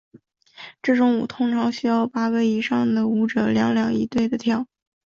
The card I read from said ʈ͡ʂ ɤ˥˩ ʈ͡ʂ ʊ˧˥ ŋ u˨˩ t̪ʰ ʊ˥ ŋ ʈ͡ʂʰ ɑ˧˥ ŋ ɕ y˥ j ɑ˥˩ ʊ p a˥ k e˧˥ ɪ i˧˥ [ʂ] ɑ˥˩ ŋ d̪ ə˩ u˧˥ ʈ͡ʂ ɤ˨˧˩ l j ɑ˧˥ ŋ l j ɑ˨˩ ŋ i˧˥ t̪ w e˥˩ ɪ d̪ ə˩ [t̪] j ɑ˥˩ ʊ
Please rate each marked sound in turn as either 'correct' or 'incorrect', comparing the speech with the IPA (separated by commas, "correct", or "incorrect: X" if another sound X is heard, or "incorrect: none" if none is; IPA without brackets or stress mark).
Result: correct, incorrect: t̪ʰ